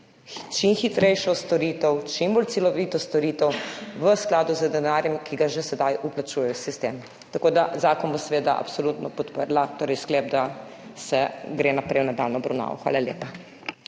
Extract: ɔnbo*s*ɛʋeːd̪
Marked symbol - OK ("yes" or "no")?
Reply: yes